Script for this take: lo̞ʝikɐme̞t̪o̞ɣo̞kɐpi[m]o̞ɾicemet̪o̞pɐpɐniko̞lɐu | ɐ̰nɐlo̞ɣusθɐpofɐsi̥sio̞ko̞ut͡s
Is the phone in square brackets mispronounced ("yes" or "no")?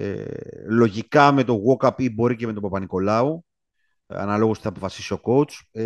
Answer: yes